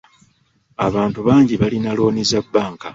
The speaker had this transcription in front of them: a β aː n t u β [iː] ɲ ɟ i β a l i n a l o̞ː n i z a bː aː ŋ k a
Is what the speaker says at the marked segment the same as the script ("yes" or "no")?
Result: no